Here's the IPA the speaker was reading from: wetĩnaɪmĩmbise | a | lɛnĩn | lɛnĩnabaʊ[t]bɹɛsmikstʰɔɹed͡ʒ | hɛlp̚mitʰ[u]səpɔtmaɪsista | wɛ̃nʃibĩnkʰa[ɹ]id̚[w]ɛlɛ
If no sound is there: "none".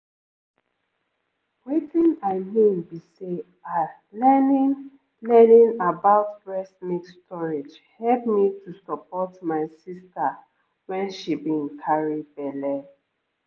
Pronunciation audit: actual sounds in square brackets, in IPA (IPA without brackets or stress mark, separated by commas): t, u, ɹ, b